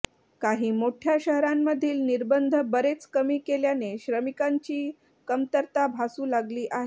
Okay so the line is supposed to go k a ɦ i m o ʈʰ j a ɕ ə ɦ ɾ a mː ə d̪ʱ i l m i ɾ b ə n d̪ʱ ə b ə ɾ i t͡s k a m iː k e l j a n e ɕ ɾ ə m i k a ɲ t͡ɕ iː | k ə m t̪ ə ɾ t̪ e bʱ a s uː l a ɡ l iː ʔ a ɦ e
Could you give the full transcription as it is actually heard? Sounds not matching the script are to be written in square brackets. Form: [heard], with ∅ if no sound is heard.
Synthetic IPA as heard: k a ɦ [iː] m o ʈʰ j a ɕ ə ɦ ɾ a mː ə d̪ʱ [iː] l [n] i ɾ b ə n d̪ʱ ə b ə ɾ [e] t͡s k [ə] m iː k e l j a n e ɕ ɾ ə m i k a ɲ t͡ɕ iː | k ə m t̪ ə ɾ t̪ [a] bʱ a s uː l a ɡ l iː ʔ a ɦ e